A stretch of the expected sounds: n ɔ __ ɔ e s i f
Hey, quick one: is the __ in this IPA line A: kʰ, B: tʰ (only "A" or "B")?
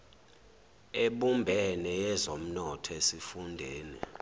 B